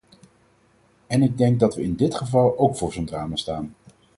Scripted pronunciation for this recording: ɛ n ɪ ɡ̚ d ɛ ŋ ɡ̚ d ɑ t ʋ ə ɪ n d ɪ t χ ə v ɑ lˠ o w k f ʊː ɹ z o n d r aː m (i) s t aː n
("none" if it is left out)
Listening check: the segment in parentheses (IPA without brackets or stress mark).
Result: a